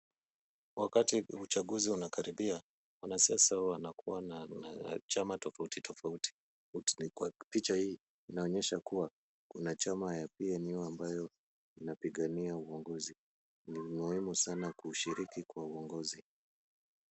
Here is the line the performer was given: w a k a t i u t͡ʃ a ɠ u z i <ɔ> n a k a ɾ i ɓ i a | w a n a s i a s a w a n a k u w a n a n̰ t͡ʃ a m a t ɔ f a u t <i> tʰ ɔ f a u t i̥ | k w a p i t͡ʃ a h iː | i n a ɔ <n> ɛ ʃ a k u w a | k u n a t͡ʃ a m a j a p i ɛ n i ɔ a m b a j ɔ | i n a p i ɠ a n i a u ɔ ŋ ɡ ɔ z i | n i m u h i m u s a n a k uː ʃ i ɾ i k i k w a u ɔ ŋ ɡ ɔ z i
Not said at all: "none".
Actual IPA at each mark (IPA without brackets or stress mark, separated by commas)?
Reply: u, i, ɲ